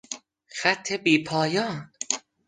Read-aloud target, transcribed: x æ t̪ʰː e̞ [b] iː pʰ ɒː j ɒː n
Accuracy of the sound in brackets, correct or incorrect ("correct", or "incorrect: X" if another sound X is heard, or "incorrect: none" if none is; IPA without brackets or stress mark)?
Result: correct